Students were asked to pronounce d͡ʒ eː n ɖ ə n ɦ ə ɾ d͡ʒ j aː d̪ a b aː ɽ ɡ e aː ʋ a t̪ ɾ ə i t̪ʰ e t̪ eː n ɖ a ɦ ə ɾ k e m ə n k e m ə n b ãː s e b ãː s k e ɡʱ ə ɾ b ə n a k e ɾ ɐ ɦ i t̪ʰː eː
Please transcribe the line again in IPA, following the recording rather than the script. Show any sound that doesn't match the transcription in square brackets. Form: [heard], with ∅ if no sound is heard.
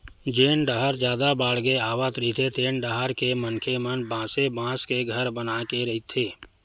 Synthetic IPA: d͡ʒ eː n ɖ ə [∅] ɦ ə ɾ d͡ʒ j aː d̪ a b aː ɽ ɡ e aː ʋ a t̪ ɾ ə i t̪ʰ e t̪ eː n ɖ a ɦ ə ɾ k e m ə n [kʰ] e m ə n b ãː s e b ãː s k e ɡʱ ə ɾ b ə n a k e ɾ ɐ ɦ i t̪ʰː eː